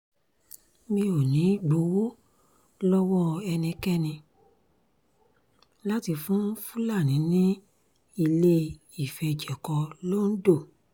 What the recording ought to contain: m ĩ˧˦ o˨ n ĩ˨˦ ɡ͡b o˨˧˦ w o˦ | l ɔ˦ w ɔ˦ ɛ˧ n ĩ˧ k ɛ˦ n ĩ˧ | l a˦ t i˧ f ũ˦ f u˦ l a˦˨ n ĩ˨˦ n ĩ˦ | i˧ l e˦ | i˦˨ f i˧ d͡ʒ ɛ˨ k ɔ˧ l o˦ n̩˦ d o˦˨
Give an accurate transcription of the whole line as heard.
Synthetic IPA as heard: m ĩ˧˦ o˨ n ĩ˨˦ ɡ͡b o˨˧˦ w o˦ | l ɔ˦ w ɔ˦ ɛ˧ n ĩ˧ k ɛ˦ n ĩ˧ | l a˦ t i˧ f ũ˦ f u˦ l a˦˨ n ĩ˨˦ n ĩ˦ | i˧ l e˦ | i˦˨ f ɛ˧ d͡ʒ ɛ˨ k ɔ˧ l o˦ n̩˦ d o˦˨